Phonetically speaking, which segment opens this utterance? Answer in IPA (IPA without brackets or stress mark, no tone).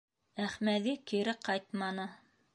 æ